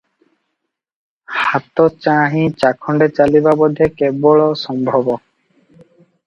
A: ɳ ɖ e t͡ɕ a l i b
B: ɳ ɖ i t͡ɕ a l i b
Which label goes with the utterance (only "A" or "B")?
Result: A